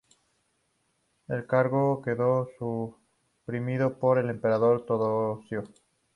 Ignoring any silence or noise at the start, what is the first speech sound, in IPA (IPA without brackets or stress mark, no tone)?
e̞